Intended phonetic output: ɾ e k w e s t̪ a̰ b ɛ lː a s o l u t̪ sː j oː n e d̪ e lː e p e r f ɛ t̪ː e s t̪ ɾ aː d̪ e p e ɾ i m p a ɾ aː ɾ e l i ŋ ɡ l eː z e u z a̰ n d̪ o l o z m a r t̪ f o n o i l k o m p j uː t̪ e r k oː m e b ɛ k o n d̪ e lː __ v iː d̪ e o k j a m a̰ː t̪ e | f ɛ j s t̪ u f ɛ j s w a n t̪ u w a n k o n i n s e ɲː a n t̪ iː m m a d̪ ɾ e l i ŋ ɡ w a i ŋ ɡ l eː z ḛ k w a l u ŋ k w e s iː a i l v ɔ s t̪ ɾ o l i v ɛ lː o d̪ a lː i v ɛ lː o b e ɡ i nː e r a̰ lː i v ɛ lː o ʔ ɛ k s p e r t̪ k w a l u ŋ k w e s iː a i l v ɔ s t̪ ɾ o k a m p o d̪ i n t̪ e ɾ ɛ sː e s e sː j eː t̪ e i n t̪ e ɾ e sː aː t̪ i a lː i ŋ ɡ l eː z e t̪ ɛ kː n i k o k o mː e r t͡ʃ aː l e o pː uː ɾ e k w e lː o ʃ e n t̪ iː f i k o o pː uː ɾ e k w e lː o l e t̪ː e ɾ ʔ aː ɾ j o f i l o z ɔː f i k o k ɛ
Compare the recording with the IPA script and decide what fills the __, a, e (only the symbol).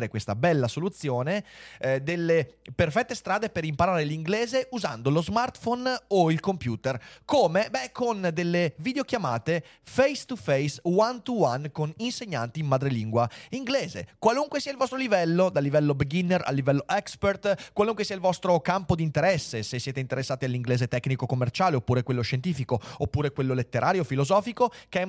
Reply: e